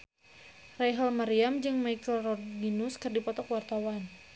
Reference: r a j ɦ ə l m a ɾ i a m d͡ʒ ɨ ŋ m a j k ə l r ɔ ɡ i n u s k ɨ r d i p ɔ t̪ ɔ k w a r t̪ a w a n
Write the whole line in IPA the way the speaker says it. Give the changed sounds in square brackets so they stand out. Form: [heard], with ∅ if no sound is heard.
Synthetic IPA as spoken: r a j ɦ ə l m a ɾ i a m d͡ʒ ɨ ŋ m a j k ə l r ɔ ɡ i n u s k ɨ r d i p ɔ t̪ ɔ k w a r t̪ a w a n